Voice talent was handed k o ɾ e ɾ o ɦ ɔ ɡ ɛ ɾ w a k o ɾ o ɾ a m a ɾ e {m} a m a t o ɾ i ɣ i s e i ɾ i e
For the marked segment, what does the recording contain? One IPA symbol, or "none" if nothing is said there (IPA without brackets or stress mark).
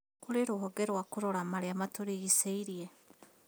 none